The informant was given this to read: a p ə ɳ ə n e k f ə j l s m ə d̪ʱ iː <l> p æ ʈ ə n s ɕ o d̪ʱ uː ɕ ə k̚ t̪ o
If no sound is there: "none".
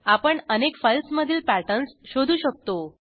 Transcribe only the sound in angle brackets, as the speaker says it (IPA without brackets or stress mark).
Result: l